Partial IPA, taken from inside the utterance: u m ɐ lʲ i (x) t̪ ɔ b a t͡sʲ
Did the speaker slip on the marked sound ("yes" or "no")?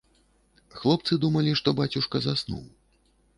yes